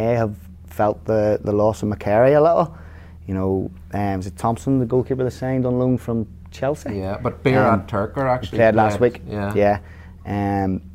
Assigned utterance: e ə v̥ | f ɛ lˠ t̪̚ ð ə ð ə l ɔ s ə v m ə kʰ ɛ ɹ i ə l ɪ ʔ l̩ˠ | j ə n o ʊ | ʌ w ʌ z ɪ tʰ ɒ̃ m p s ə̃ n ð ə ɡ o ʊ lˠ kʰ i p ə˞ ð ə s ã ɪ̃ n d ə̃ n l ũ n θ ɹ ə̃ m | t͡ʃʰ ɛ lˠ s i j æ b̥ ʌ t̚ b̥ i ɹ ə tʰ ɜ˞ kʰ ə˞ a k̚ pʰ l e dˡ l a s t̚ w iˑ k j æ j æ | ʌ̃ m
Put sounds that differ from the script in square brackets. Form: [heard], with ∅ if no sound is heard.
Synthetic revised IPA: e ə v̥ | f ɛ lˠ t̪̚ ð ə ð ə l ɔ s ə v m ə kʰ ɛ ɹ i ə l ɪ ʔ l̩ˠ | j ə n o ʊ | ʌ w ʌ z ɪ tʰ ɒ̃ m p s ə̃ n ð ə ɡ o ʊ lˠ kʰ i p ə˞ ð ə s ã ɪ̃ n d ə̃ n l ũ n [f] ɹ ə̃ m | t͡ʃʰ ɛ lˠ s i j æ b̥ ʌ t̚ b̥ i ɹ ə tʰ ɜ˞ [k] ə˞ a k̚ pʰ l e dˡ l a s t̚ w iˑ k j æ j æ | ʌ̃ m